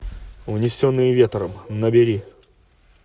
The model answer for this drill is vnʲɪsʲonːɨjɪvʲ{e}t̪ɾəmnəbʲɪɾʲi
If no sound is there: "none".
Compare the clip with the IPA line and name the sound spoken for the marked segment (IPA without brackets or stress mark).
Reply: e